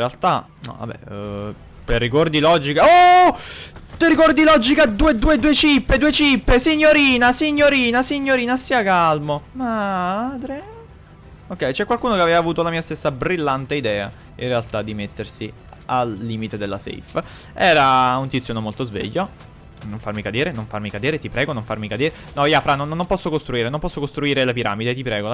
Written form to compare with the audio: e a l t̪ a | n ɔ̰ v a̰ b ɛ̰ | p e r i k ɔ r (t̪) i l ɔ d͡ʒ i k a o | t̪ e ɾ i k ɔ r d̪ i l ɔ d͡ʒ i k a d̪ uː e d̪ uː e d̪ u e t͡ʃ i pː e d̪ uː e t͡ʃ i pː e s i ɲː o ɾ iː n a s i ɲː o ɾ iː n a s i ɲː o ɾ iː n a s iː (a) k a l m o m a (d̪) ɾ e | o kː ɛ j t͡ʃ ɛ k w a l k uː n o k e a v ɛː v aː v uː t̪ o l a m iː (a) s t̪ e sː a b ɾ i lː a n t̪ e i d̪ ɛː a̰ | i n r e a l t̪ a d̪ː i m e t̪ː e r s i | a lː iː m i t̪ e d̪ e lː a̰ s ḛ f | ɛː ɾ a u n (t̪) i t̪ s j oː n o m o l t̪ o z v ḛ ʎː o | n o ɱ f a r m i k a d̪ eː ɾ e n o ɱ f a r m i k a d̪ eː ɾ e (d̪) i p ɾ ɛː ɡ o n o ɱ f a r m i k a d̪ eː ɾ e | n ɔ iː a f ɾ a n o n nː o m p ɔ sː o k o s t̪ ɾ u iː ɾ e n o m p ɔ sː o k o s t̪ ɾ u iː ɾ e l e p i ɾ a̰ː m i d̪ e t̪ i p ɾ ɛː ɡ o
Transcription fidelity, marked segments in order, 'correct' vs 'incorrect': incorrect: d̪, correct, correct, correct, correct, incorrect: t̪

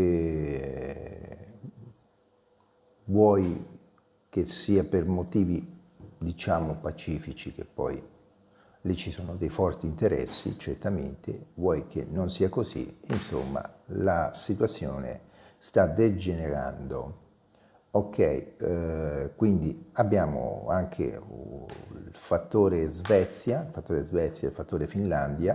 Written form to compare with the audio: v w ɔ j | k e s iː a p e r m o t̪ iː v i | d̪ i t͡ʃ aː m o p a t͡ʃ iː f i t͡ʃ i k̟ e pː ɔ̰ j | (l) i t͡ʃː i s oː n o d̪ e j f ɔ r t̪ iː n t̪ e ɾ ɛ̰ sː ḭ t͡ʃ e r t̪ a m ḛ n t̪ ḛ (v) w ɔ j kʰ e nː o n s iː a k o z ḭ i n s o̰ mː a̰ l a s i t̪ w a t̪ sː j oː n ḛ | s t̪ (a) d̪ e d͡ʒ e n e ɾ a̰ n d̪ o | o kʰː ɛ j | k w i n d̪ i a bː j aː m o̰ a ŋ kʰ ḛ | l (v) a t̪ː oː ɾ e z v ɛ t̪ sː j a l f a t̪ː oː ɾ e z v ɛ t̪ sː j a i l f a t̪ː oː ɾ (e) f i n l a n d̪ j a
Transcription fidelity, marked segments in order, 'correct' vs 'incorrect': correct, correct, correct, incorrect: f, correct

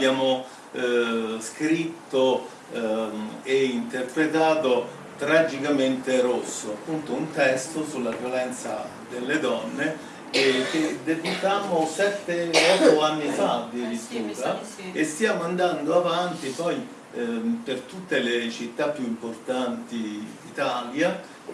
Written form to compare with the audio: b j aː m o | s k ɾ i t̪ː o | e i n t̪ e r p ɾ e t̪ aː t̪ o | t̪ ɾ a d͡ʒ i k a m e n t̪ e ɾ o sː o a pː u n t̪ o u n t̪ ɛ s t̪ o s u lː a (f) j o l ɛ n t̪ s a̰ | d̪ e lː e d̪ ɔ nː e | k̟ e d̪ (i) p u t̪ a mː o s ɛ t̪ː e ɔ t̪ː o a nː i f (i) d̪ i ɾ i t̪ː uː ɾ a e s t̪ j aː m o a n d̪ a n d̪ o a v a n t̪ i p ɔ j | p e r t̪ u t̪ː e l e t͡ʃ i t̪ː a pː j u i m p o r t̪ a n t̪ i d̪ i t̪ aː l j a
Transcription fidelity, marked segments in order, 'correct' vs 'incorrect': incorrect: v, incorrect: e, incorrect: a

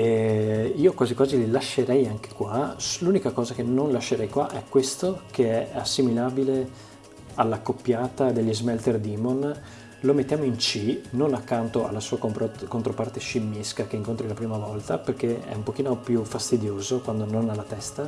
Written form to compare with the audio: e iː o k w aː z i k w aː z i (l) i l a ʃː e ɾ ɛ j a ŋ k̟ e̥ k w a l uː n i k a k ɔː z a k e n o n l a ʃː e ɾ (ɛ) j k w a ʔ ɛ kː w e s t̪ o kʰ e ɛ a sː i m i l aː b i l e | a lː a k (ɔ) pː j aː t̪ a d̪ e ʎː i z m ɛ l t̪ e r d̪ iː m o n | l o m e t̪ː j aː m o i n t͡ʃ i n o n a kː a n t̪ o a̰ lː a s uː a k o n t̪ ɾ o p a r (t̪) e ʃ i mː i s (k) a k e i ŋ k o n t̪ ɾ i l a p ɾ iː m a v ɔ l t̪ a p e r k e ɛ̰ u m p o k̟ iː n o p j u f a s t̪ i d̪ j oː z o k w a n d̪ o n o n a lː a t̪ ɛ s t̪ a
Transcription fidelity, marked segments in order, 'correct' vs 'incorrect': correct, correct, incorrect: o, correct, correct

